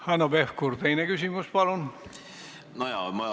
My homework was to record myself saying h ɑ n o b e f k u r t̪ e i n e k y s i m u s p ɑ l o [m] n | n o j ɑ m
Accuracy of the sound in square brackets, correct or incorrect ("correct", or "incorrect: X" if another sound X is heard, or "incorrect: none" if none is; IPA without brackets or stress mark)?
incorrect: none